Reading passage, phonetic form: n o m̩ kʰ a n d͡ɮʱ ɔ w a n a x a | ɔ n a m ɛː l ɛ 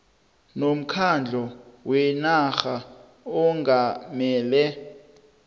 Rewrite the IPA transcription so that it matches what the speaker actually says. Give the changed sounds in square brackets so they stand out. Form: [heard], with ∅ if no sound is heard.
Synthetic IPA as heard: n o m̩ kʰ a n d͡ɮʱ ɔ w [ɛ] n a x a | ɔ [ŋ] a m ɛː l ɛ